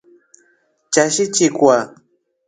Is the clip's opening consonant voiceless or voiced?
voiceless